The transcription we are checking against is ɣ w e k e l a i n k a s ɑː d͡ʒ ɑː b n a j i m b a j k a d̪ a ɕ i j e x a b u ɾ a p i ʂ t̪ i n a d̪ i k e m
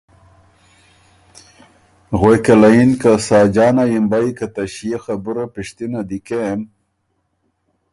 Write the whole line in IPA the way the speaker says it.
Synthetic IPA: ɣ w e k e l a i n k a s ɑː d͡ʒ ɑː n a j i m b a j k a t̪ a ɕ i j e x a b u ɾ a p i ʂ t̪ i n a d̪ i k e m